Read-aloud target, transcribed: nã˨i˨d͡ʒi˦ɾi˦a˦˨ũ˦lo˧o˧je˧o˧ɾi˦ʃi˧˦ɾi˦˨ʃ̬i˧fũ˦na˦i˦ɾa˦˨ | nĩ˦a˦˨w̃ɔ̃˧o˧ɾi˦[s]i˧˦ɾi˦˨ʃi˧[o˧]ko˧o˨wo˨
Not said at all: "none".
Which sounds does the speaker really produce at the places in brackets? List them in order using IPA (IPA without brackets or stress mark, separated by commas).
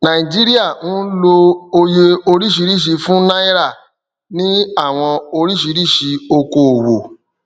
ʃ, o˧